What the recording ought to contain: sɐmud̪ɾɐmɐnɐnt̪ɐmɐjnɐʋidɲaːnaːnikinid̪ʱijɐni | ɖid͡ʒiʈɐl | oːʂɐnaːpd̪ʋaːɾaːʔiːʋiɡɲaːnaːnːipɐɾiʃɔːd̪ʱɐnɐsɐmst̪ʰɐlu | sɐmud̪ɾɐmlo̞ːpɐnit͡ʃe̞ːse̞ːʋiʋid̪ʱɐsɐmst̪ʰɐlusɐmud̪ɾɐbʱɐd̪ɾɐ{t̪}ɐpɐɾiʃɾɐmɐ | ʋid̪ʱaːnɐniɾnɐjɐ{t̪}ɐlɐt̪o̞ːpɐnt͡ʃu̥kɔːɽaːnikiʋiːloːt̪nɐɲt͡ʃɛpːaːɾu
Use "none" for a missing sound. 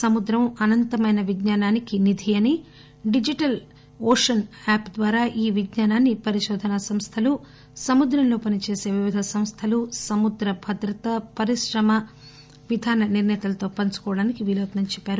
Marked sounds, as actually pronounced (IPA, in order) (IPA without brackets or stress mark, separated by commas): t̪, t̪